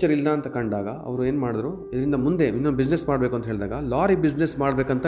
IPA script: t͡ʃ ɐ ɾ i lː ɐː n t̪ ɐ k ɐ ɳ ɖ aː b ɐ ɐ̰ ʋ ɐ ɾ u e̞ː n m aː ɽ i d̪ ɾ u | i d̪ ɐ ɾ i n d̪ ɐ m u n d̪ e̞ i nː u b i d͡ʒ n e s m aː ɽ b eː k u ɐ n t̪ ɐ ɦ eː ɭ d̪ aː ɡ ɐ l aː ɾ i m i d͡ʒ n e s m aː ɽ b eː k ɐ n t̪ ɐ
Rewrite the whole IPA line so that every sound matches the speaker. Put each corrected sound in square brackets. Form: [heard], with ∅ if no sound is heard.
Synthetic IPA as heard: t͡ʃ ɐ ɾ i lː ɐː n t̪ ɐ k ɐ ɳ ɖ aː [ɡ] ɐ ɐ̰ ʋ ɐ ɾ u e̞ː n m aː ɽ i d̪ ɾ u | i d̪ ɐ ɾ i n d̪ ɐ m u n d̪ e̞ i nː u b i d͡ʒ n e s m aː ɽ b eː k u ɐ n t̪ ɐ ɦ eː ɭ d̪ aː ɡ ɐ l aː ɾ i [b] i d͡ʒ n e s m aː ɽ b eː k ɐ n t̪ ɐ